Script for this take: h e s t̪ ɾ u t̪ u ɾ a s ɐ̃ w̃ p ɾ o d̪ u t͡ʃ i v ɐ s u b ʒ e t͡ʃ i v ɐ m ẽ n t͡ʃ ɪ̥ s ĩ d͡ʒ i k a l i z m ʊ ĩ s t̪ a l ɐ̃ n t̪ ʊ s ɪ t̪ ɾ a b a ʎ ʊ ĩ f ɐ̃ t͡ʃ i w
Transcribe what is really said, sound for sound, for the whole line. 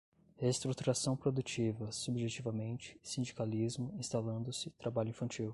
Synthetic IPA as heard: h e s t̪ ɾ u t̪ u ɾ a s ɐ̃ w̃ p ɾ o d̪ u t͡ʃ i v ɐ s u b ʒ e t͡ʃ i v ɐ m ẽ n t͡ʃ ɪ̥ s ĩ d͡ʒ i k a l i z m ʊ ĩ s t̪ a l ɐ̃ n d̪ ʊ s ɪ t̪ ɾ a b a ʎ ʊ ĩ f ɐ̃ t͡ʃ i w

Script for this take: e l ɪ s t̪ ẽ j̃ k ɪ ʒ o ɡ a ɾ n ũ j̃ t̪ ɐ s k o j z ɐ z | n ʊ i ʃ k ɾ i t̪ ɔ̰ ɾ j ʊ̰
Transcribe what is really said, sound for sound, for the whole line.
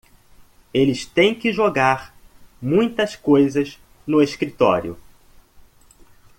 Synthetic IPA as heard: e l ɪ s t̪ ẽ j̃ k ɪ ʒ o ɡ a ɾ m ũ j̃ t̪ ɐ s k o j z ɐ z | n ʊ e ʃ k ɾ i t̪ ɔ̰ ɾ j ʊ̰

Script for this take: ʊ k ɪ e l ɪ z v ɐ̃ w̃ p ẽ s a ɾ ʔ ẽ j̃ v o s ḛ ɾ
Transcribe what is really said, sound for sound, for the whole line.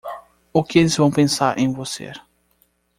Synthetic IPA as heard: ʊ k ɪ e l ɪ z v ɐ̃ w̃ p ẽ s a ɾ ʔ ẽ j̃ v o s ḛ ɾ

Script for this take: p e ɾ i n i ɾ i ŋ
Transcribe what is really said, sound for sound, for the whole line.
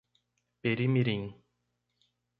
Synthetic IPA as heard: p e ɾ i m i ɾ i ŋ

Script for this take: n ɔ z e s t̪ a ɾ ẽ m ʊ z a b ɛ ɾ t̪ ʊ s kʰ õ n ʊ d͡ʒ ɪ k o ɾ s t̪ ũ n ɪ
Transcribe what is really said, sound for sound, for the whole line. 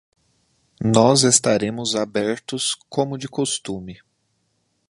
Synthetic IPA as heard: n ɔ z e s t̪ a ɾ ẽ m ʊ z a b ɛ ɾ t̪ ʊ s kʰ õ m ʊ d͡ʒ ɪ k o s t̪ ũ m ɪ

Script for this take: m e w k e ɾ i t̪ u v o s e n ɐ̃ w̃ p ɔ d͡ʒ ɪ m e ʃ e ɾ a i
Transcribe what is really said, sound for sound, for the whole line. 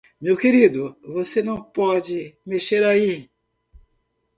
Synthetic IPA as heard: m e w k e ɾ i d̪ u v o s e n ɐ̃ w̃ p ɔ d͡ʒ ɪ m e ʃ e ɾ a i

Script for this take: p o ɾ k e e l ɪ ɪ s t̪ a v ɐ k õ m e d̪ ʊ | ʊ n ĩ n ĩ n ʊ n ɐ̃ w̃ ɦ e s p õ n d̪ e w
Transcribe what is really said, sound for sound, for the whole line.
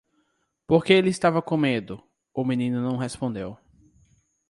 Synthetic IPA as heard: p o ɾ k e e l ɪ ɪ s t̪ a v ɐ k õ m e d̪ ʊ | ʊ m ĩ n ĩ n ʊ n ɐ̃ w̃ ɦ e s p õ n d̪ e w

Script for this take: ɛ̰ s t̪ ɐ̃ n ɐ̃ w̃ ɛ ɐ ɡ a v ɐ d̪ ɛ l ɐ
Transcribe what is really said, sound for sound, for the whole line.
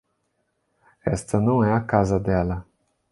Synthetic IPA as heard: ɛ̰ s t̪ ɐ n ɐ̃ w̃ ɛ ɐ k a z ɐ d̪ ɛ l ɐ

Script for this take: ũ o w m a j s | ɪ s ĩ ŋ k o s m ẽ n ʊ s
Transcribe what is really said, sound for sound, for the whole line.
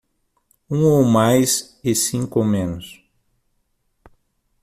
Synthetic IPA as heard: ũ o w m a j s | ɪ s ĩ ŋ k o m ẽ n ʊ s

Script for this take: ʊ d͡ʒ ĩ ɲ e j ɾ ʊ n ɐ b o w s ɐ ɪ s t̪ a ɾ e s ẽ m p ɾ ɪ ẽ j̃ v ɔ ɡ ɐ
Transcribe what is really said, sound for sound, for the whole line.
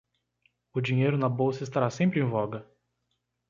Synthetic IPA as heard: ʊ d͡ʒ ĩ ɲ e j ɾ ʊ n ɐ b o w s ɐ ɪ s t̪ a ɾ a s ẽ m p ɾ ɪ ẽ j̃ v ɔ ɡ ɐ

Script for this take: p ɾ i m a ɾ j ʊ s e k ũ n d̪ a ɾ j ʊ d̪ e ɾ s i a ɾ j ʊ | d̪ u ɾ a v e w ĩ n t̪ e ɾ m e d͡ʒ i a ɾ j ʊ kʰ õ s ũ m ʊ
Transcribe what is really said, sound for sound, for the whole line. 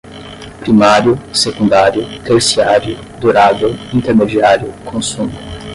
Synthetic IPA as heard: p ɾ i m a ɾ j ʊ s e k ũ n d̪ a ɾ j ʊ t̪ e ɾ s i a ɾ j ʊ | d̪ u ɾ a v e w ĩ n t̪ e ɾ m e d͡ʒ i a ɾ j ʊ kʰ õ s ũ m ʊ

